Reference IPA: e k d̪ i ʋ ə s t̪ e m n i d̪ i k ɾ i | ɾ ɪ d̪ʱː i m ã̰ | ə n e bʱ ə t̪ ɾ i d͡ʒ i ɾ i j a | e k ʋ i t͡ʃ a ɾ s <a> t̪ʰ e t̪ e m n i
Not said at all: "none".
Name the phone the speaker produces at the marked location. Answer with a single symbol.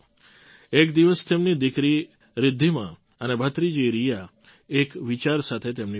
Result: a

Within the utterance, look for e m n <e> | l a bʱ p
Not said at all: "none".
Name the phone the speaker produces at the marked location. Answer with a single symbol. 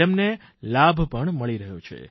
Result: e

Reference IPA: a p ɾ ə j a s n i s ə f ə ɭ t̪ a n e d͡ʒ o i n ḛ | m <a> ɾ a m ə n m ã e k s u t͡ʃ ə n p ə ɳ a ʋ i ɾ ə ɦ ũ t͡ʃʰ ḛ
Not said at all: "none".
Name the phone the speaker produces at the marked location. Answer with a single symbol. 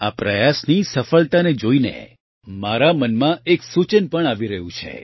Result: a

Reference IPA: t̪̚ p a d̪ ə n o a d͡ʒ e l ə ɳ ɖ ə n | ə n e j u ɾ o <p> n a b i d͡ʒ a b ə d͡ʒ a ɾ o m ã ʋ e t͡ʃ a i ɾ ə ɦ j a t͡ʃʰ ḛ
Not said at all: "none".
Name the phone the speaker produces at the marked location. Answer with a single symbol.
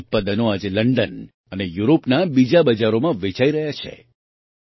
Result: p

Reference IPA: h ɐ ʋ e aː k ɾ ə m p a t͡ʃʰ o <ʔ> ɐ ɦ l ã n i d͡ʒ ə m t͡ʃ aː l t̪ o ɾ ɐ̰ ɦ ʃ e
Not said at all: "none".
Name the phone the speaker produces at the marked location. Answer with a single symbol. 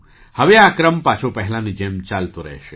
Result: p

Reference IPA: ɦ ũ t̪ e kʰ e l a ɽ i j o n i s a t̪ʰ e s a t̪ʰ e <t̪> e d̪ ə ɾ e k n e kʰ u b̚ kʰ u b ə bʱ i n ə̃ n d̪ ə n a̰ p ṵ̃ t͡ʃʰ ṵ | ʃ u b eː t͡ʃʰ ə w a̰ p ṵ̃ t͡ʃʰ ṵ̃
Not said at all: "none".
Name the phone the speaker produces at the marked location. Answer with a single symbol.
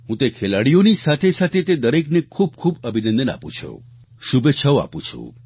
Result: t̪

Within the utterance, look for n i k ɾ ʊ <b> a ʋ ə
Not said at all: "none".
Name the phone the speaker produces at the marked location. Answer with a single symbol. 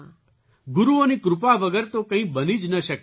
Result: p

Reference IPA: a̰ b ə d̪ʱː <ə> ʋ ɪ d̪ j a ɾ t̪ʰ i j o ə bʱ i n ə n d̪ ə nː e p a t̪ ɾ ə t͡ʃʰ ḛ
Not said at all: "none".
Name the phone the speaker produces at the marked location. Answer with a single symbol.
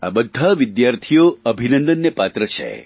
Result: a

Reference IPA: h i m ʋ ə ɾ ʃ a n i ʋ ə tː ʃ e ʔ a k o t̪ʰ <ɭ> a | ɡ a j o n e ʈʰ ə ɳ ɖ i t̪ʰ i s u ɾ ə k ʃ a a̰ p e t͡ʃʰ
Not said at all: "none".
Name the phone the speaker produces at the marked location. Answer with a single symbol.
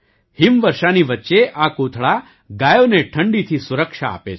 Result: ɭ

